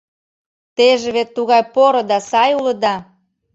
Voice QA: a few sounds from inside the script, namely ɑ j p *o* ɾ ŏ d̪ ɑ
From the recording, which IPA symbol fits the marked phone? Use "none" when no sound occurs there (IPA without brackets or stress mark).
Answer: o